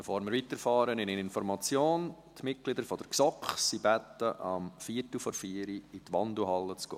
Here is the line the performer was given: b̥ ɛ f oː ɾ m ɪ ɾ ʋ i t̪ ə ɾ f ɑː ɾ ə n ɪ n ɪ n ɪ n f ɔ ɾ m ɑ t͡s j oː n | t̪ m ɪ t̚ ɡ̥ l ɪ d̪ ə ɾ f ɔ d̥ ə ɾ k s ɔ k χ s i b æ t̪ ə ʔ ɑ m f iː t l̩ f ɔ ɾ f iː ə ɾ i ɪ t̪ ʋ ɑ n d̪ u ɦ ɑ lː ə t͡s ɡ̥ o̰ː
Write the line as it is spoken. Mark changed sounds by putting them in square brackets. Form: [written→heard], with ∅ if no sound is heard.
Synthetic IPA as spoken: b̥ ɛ f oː ɾ m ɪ ɾ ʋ i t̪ ə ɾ f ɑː ɾ ə n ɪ n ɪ n ɪ n f ɔ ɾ m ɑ t͡s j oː n | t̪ m ɪ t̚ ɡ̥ l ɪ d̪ ə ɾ f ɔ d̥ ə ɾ k s ɔ k χ s i b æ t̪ ə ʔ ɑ m f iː t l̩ f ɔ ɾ f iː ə ɾ i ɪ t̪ ʋ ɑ n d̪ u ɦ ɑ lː ə t͡s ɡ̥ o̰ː